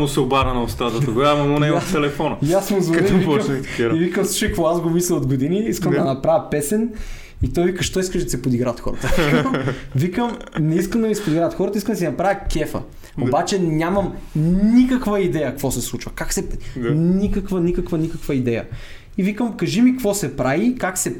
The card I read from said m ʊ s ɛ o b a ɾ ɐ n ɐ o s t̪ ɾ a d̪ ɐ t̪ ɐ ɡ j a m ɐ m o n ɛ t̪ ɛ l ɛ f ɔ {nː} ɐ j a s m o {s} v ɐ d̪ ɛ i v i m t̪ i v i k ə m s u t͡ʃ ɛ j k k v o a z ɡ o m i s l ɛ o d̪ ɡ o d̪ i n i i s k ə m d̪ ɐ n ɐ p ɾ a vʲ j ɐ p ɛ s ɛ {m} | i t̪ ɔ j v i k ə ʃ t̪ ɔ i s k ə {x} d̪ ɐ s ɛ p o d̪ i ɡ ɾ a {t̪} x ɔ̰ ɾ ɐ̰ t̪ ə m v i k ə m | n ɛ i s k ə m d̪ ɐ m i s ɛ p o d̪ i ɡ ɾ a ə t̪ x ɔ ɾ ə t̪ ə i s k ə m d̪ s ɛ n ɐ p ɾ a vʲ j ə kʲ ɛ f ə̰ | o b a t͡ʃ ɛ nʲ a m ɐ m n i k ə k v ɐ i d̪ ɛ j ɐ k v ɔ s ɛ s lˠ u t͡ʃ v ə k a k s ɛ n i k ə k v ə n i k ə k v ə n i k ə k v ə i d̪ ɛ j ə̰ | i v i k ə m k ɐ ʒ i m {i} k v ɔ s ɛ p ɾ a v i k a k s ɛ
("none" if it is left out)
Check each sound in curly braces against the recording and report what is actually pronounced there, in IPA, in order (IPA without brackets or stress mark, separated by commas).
n, z, n, ʃ, t̪, i